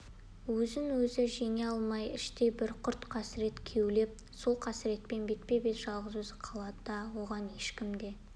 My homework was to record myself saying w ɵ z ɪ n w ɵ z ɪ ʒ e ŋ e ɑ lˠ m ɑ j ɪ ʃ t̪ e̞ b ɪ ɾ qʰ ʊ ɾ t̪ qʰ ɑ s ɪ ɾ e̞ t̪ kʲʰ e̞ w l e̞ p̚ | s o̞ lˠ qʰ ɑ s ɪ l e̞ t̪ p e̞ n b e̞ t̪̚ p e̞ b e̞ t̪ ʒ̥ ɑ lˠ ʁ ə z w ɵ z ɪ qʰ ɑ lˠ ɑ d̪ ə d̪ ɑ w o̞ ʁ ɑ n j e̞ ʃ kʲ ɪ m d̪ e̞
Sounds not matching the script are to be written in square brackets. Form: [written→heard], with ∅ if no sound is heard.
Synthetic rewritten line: w ɵ z ɪ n w ɵ z ɪ ʒ e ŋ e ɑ lˠ m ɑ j ɪ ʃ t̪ e̞ b ɪ ɾ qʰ ʊ ɾ t̪ qʰ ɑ s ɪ ɾ e̞ t̪ kʲʰ e̞ w l e̞ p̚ | s o̞ lˠ qʰ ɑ s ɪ [l→ɾ] e̞ t̪ p e̞ n b e̞ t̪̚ p e̞ b e̞ t̪ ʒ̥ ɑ lˠ ʁ ə z w ɵ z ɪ qʰ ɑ lˠ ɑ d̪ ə d̪ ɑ w o̞ ʁ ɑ n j e̞ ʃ kʲ ɪ m d̪ e̞